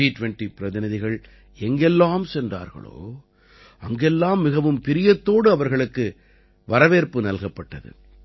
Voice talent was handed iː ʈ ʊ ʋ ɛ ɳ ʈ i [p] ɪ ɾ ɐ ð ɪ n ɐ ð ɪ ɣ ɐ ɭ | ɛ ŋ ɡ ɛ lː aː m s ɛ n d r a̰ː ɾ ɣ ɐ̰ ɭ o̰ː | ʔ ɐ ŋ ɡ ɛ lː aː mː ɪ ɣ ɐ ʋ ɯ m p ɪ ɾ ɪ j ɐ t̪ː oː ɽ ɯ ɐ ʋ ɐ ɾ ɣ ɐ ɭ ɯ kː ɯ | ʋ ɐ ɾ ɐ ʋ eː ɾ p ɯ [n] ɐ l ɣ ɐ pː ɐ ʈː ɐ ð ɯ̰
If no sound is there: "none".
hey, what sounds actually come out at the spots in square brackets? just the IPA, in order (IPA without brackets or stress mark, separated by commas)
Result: p, n